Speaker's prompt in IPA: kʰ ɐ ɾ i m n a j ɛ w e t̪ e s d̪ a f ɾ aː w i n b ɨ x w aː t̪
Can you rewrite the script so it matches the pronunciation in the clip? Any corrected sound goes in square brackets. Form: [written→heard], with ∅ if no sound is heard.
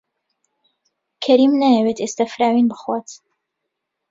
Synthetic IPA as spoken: kʰ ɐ ɾ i m n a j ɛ w e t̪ e s [d̪→t̪] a f ɾ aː w i n b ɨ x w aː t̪